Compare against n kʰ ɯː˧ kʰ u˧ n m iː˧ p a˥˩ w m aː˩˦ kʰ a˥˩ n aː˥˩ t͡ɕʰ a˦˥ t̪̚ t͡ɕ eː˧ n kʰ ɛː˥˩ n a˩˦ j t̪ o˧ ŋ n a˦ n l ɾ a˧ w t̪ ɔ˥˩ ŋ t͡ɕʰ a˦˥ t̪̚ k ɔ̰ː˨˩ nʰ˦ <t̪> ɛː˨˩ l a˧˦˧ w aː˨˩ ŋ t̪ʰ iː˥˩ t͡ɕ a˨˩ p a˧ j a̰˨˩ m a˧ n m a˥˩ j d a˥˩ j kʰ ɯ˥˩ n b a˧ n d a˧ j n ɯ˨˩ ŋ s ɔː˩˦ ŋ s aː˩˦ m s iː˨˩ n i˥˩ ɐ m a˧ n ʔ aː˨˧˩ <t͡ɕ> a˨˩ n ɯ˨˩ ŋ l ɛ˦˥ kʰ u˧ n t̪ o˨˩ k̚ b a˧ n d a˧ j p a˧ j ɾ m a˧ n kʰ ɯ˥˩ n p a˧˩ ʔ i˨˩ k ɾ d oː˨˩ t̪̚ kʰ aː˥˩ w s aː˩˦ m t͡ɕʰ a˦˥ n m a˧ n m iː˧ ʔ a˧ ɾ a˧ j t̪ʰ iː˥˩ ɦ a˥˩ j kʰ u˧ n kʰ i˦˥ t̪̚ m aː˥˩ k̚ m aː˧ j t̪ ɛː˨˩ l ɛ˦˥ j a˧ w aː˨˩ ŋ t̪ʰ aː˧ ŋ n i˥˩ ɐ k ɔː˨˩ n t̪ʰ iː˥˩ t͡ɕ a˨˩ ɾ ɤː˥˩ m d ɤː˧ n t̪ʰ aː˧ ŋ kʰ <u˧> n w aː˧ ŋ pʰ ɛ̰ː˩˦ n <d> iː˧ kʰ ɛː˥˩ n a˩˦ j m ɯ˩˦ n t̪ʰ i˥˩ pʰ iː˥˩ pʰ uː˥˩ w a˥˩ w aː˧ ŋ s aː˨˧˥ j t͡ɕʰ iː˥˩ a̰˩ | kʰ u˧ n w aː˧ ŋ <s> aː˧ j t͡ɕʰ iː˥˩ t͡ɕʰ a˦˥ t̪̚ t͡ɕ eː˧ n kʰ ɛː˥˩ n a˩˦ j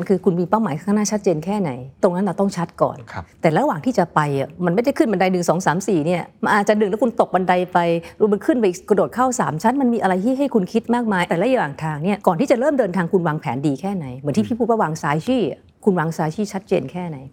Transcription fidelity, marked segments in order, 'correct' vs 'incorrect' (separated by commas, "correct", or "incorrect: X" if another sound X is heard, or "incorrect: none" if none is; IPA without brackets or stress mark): correct, correct, correct, correct, correct